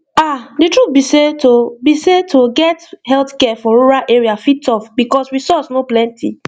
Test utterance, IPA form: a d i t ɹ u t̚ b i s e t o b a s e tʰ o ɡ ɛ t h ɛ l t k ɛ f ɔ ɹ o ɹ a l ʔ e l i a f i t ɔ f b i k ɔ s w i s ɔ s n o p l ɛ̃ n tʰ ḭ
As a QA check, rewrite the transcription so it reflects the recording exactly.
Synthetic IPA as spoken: a d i t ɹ u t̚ b i s e t o b i s e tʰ o ɡ ɛ t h ɛ l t k ɛ f ɔ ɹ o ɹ a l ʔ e ɹ i a f i t ɔ f b i k ɔ s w i s ɔ s n o p l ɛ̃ n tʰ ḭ

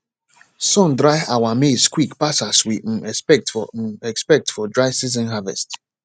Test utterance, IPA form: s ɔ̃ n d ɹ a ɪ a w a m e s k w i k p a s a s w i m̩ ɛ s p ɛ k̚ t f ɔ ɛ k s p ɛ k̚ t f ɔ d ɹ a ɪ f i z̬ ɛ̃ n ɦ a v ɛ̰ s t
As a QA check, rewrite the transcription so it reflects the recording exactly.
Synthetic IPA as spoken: s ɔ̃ n d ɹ a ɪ a w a m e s k w i k p a s a s w i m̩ ɛ s p ɛ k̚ t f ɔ ɛ k s p ɛ k̚ t f ɔ d ɹ a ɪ s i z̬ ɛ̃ n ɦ a v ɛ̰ s t

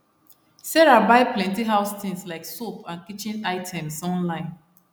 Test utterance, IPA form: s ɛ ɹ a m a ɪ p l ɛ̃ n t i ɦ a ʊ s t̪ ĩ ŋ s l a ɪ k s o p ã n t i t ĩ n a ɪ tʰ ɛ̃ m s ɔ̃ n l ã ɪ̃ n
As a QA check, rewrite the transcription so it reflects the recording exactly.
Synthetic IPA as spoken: s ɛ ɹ a b a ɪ p l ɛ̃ n t i ɦ a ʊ s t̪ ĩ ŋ s l a ɪ k s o p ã n k i t͡ʃ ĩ n a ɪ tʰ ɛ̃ m s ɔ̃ n l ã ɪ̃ n

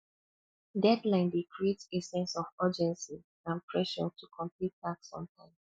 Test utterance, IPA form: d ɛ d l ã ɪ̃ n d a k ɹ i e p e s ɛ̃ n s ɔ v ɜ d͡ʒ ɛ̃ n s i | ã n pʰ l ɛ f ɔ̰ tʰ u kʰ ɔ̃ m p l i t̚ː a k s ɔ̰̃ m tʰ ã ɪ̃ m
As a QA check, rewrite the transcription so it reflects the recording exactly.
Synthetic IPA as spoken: d ɛ d l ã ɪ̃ n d e k ɹ i e t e s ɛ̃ n s ɔ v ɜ d͡ʒ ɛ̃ n s i | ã n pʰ ɹ ɛ ʃ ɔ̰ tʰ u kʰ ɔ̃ m p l i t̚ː a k s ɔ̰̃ m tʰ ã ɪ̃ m

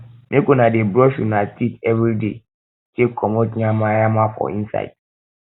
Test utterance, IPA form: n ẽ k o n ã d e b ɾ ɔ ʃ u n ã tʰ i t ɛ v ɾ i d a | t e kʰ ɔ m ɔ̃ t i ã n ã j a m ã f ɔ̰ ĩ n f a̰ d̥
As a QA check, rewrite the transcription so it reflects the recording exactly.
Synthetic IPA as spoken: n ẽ k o n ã d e b ɾ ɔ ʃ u n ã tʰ i t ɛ v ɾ i d e | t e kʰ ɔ m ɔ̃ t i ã m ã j a m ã f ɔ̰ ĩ n s a̰ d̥

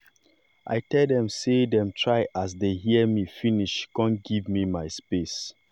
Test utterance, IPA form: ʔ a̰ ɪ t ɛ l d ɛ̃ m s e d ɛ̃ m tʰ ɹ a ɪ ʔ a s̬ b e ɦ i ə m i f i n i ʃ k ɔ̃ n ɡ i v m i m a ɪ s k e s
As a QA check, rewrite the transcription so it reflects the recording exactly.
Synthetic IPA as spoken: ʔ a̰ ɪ t ɛ l d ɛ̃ m s e d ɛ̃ m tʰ ɹ a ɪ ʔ a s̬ d e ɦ i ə m i f i n i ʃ k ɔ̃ n ɡ i v m i m a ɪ s p e s

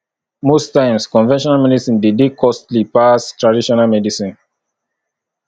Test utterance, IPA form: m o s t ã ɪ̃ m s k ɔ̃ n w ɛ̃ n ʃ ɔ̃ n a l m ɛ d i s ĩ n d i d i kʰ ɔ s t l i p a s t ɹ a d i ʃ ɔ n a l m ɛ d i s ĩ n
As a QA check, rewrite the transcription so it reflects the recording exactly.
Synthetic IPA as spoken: m o s t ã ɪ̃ m s k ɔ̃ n v ɛ̃ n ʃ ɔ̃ n a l m ɛ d i s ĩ n d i d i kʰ ɔ s t l i p a s t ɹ a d i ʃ ɔ n a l m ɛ d i s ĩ n

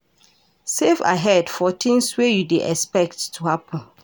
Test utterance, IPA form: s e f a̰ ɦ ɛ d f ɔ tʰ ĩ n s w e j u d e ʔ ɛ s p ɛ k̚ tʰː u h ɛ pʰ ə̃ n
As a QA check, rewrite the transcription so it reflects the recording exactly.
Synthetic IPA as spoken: s e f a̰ ɦ ɛ d f ɔ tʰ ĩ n s w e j u d e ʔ ɛ s p ɛ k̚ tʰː u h a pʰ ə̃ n

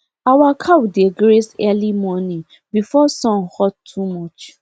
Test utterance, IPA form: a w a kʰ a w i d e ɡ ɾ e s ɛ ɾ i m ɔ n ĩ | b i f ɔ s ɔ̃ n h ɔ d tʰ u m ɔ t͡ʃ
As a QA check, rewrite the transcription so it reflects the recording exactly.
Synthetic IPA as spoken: a w a kʰ a w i d e ɡ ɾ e s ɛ l i m ɔ n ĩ | b i f ɔ s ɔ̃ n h ɔ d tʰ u m ɔ t͡ʃ

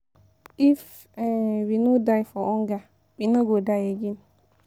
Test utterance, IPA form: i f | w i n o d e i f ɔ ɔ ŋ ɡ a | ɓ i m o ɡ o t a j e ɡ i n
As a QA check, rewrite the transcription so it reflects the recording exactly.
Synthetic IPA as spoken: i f | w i n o d a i f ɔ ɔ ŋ ɡ a | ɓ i n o ɡ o d a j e ɡ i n

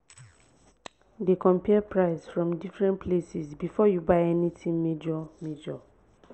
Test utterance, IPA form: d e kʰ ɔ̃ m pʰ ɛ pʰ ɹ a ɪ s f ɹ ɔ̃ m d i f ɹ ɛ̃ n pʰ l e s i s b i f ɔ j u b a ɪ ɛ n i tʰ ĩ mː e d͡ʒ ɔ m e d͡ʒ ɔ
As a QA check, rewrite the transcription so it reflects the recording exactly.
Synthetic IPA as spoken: d e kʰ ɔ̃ m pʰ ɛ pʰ ɹ a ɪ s f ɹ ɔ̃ m d i f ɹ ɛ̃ n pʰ l e s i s b i f ɔ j u b a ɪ ɛ n i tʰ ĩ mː e d͡ʒ ɔ m e d͡ʒ ɔ

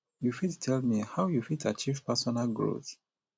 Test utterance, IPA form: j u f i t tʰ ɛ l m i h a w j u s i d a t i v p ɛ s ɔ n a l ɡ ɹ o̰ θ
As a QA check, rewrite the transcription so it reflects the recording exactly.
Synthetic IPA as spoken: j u f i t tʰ ɛ l m i h a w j u f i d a t͡ʃ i v p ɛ s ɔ n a l ɡ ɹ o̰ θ

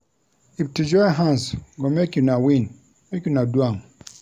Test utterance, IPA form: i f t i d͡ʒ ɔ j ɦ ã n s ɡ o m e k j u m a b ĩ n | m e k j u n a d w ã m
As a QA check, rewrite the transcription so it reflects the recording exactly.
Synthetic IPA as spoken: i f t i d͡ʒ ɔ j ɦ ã n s ɡ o m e k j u n a w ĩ n | m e k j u n a d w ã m

